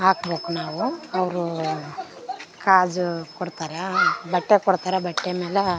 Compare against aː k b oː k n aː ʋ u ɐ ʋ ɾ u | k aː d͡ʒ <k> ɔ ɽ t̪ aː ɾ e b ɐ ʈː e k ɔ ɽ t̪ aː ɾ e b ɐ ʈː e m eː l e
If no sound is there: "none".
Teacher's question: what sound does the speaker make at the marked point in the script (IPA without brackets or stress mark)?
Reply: k